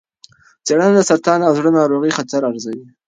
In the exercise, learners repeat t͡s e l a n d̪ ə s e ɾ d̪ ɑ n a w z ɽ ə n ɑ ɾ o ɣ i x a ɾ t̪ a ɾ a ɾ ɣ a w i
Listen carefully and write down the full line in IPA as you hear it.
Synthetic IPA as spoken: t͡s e ɽ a n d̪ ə s a ɾ t̪ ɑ n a w z ɽ ə n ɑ ɾ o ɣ i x a t̪ a ɾ a ɾ z a w i